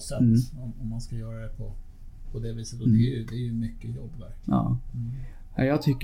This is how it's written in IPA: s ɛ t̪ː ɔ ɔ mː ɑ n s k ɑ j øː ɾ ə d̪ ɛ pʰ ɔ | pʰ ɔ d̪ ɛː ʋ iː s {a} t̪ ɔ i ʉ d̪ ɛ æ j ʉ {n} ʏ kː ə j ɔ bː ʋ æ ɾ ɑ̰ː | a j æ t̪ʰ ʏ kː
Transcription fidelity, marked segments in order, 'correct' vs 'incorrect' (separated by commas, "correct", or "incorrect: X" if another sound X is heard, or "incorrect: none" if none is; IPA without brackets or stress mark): incorrect: ə, incorrect: m